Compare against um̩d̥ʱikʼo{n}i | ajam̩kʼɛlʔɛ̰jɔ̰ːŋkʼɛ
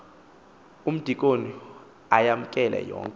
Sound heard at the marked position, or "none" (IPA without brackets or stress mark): n